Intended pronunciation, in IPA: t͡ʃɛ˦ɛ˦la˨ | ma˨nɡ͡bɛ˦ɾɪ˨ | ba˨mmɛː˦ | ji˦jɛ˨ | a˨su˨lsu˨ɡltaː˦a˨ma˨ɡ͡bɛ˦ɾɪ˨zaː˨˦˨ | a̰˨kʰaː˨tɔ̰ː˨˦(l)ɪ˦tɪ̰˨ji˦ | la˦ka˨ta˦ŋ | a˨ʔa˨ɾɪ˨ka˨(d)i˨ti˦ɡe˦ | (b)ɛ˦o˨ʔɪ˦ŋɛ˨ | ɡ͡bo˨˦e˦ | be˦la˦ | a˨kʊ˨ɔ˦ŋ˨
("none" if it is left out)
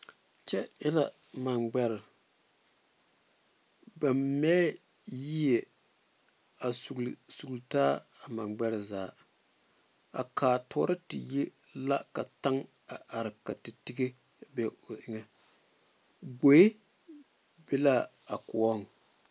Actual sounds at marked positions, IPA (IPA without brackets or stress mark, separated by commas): ɾ, t, b